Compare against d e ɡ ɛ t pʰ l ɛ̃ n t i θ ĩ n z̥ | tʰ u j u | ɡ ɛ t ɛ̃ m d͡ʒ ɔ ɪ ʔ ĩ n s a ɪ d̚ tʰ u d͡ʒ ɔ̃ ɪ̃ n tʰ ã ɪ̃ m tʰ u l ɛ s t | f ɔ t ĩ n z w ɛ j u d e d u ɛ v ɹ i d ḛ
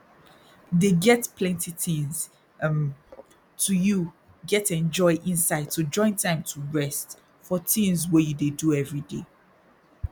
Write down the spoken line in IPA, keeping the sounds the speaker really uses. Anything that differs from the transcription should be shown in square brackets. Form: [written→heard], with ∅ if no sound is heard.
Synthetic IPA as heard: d e ɡ ɛ t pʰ l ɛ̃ n t i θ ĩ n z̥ | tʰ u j u | ɡ ɛ t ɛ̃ [m→n] d͡ʒ ɔ ɪ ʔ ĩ n s a ɪ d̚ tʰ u d͡ʒ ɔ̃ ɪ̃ n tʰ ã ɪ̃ m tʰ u [l→ɹ] ɛ s t | f ɔ t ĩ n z w ɛ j u d e d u ɛ v ɹ i d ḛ

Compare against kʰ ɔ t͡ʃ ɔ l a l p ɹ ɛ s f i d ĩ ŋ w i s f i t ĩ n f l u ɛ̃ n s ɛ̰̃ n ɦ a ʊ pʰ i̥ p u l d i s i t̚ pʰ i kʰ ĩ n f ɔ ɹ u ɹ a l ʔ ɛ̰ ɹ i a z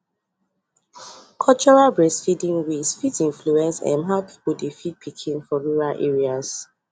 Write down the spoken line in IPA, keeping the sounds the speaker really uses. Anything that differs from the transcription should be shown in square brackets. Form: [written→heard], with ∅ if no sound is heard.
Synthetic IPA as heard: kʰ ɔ t͡ʃ ɔ [l→ɹ] a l [p→b] ɹ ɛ s f i d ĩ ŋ w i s f i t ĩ n f l u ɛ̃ n s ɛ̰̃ n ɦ a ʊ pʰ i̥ p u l d i [s→f] i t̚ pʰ i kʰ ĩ n f ɔ ɹ u ɹ a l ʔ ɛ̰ ɹ i a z

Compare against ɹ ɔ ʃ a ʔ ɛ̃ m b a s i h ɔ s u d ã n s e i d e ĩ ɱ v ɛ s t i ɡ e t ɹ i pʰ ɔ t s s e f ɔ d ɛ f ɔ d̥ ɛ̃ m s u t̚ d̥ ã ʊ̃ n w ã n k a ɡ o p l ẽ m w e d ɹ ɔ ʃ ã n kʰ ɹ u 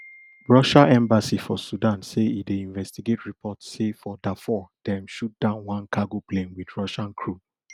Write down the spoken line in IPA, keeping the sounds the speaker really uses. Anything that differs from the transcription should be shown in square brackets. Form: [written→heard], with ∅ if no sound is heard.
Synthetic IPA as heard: ɹ ɔ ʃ a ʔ ɛ̃ m b a s i [h→f] ɔ s u d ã n s e i d e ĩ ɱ v ɛ s t i ɡ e t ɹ i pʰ ɔ t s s e f ɔ d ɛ f ɔ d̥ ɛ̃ m [s→ʃ] u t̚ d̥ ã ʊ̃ n w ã n k a ɡ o p l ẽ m w [e→i] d ɹ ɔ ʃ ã n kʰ ɹ u

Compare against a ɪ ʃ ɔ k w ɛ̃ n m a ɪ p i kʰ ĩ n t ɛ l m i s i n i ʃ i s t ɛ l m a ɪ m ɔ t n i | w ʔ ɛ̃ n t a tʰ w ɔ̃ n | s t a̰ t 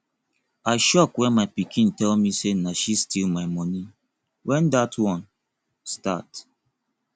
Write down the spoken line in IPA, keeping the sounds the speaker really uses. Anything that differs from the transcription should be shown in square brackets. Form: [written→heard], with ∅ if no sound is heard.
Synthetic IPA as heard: a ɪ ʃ ɔ k w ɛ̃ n m a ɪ p i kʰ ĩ n t ɛ l m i s [i→e] n [i→a] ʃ i s t [ɛ→i] l m a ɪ m ɔ [t→∅] n i | w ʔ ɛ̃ n [t→d] a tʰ w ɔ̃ n | s t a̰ t

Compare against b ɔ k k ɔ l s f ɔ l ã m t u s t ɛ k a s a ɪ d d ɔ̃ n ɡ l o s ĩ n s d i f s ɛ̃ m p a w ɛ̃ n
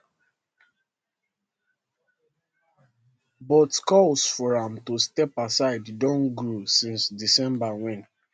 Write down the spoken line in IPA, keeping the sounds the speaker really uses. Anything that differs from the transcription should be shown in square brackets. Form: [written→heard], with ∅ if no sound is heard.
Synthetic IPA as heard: b ɔ [k→t] k ɔ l s f ɔ [l→ɹ] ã m t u s t ɛ [k→p] a s a ɪ d d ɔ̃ n ɡ [l→ɹ] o s ĩ n s d i [f→∅] s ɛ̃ m [p→b] a w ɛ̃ n

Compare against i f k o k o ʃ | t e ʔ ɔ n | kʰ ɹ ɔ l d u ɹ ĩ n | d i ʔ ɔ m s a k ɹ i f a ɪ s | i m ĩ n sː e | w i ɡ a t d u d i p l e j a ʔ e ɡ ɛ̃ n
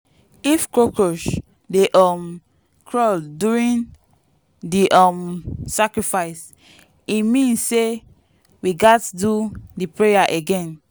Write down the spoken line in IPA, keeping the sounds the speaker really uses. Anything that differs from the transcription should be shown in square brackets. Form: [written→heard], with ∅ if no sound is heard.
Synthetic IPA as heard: i f k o k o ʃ | [t→d] e ʔ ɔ [n→m] | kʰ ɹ ɔ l d u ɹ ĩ n | d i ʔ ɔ m s a k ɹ i f a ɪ s | i m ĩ n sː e | w i ɡ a t d u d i p [l→ɹ] e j a ʔ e ɡ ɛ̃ n

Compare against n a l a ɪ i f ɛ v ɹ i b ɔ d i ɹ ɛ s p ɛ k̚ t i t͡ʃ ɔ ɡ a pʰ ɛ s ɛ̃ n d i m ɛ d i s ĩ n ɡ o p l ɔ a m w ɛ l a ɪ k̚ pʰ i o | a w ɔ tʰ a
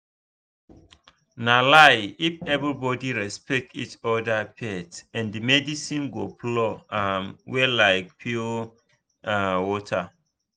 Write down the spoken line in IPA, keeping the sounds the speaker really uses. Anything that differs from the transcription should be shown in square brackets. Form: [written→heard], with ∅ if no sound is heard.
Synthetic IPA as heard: n a l a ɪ i f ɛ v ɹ i b ɔ d i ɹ ɛ s p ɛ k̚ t i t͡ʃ ɔ [ɡ→d] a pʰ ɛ [s→t] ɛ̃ n d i m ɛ d i s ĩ n ɡ o p l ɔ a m w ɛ l a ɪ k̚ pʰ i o | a w ɔ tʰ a

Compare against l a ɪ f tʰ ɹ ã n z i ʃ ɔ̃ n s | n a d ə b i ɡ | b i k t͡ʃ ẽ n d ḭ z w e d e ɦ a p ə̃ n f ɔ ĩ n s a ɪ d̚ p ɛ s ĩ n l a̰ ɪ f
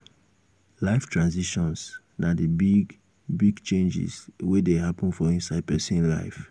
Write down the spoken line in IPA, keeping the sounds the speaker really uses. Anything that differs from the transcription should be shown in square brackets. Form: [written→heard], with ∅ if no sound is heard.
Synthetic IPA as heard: l a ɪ f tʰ ɹ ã n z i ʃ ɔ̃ n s | n a d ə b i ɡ | b i [k→ɡ] t͡ʃ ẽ n [d→d͡ʒ] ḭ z w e d e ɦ a p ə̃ n f ɔ ĩ n s a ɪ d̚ p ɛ s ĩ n l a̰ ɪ f

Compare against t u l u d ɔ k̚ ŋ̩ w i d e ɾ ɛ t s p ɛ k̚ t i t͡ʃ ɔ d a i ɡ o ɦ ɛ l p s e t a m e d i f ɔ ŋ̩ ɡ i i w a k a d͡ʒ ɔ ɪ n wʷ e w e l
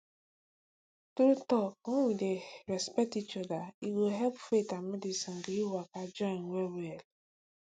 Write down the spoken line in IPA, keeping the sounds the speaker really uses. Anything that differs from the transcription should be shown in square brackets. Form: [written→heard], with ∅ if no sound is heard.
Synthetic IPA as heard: t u [l→ɾ] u [d→t] ɔ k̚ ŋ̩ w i d e ɾ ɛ [t→∅] s p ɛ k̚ t i t͡ʃ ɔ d a i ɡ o ɦ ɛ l p [s→f] e t a m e d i [f→s] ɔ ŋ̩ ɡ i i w a k a d͡ʒ ɔ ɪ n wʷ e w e l

